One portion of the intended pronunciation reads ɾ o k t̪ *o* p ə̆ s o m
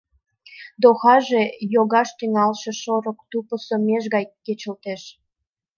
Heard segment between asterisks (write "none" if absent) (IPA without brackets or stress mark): u